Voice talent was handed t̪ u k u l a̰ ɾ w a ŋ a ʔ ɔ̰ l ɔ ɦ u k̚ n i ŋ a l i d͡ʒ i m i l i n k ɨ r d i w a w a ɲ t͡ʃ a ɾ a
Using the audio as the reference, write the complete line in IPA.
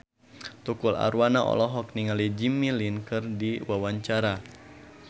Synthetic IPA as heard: t̪ u k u l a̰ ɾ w a n a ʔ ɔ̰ l ɔ ɦ ɔ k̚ n i ŋ a l i d͡ʒ i m i l i n k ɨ r d i w a w a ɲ t͡ʃ a ɾ a